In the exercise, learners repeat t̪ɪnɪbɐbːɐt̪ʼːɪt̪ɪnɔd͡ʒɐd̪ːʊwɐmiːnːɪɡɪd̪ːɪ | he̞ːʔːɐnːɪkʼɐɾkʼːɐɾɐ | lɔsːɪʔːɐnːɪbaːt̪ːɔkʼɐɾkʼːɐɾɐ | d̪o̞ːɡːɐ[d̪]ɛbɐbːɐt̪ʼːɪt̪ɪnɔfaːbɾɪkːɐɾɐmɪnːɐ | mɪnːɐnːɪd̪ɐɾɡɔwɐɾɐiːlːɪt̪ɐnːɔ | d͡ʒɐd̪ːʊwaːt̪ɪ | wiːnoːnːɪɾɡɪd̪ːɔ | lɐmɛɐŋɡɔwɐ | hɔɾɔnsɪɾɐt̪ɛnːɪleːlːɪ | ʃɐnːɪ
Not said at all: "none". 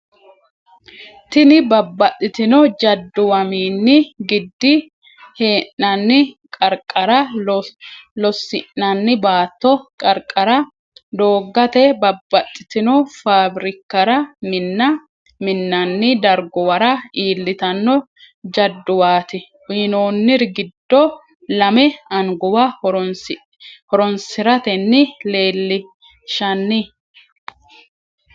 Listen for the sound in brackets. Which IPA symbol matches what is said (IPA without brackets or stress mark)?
t̪